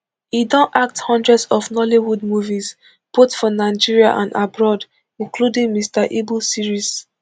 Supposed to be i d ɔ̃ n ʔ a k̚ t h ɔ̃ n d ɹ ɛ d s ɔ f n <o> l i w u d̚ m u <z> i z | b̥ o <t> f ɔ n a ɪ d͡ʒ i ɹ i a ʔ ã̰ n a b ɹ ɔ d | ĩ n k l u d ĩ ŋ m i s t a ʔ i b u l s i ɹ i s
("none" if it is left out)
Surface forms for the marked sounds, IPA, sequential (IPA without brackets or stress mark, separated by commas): ɔ, v, t